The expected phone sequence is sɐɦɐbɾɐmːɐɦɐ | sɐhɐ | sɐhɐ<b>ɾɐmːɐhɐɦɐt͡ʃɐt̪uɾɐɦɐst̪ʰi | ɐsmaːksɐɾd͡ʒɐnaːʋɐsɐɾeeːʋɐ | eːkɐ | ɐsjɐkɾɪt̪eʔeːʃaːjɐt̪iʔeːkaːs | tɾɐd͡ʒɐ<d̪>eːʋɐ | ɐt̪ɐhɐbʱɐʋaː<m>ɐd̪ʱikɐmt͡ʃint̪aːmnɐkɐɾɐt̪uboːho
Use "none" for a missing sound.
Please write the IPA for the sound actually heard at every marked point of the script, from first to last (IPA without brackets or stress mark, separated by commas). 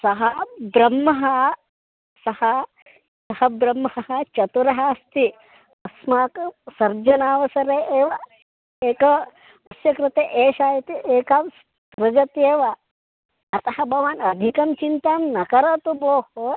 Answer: b, t̪, n